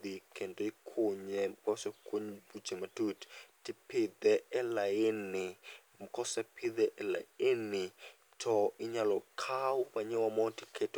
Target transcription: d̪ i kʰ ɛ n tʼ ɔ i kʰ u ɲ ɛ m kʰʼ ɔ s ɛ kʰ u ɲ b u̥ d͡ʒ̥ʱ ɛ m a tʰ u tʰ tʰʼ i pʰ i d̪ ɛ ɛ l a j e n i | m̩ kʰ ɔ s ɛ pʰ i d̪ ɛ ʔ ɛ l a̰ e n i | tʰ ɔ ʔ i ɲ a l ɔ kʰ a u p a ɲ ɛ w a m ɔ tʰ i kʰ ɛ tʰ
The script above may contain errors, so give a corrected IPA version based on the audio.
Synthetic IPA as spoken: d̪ i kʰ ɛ n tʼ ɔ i kʰ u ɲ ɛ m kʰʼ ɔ s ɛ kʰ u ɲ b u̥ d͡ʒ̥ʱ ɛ m a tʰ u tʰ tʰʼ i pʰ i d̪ ɛ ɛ l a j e n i | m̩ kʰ ɔ s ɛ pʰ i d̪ ɛ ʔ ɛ l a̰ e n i | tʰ ɔ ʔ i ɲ a l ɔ kʰ a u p a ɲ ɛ w a m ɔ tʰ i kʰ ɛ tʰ